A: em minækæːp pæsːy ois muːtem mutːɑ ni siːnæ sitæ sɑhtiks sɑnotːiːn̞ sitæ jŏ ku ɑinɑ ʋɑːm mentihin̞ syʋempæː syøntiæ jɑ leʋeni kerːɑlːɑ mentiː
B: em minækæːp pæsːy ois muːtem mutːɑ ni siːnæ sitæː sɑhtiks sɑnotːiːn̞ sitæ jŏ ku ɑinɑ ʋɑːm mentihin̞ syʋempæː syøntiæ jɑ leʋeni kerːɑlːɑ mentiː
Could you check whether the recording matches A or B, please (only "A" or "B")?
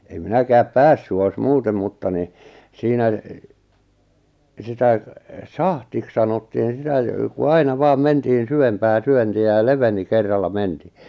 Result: A